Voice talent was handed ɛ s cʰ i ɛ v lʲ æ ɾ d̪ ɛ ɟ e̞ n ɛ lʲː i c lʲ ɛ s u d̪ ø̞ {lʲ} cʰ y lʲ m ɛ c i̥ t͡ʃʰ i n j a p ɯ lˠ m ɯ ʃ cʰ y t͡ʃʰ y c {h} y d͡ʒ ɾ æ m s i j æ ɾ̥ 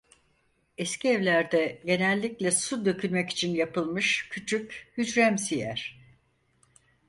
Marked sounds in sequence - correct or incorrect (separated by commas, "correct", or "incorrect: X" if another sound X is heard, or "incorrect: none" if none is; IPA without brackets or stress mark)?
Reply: incorrect: none, correct